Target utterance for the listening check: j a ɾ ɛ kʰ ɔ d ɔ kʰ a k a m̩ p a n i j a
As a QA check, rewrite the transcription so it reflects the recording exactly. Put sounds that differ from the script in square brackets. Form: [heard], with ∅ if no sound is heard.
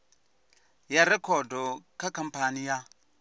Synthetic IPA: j a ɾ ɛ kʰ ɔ d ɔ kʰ a k a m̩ p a n i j a